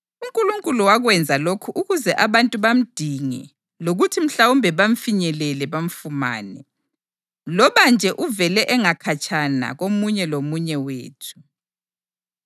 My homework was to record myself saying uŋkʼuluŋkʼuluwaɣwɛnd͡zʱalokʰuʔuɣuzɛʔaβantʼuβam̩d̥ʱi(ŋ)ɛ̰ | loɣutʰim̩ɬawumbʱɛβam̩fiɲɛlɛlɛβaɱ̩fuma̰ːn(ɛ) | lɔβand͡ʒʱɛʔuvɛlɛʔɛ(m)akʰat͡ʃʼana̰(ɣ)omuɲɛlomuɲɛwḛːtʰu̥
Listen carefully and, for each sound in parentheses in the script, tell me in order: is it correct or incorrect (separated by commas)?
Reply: correct, correct, incorrect, correct